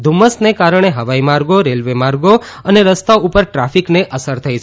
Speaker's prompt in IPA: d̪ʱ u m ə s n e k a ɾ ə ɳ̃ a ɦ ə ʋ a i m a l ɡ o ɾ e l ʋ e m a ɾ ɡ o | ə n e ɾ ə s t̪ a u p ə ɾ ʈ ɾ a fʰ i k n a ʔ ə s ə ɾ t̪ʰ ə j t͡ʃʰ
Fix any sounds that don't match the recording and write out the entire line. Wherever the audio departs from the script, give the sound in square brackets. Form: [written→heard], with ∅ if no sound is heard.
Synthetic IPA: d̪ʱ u m ə s n e k a ɾ ə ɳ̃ [a→e] ɦ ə ʋ a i m a [l→ɾ] ɡ o ɾ e l ʋ e m a ɾ ɡ o | ə n e ɾ ə s t̪ a u p ə ɾ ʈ ɾ a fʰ i k n [a→e] ʔ ə s ə ɾ t̪ʰ ə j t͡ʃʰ